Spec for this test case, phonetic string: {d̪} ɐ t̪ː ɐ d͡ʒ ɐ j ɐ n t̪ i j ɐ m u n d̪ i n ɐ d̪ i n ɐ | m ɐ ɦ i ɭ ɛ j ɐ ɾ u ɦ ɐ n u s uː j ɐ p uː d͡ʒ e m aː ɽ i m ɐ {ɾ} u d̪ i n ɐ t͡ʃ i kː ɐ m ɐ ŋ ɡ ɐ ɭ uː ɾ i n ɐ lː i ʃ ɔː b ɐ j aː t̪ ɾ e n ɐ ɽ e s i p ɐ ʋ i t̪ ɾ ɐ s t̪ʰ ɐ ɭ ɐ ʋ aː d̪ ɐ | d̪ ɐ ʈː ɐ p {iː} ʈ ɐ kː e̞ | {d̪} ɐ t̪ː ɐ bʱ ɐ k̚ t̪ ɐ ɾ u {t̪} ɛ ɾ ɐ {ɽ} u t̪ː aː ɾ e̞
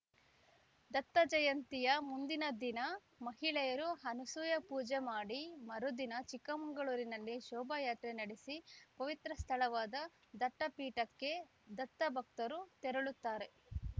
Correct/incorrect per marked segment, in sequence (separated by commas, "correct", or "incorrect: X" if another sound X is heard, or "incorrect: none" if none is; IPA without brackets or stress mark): correct, correct, correct, correct, correct, incorrect: ɭ